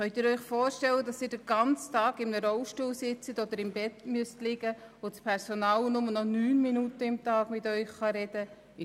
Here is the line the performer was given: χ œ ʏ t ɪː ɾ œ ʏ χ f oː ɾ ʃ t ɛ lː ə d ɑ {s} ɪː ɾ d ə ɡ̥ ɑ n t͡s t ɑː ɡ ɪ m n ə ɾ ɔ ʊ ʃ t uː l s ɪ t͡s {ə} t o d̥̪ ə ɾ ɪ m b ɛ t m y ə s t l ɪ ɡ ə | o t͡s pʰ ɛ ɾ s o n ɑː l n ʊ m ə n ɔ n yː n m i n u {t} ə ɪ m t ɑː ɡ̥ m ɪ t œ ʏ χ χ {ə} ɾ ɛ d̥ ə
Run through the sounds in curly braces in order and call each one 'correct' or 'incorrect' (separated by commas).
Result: correct, correct, correct, incorrect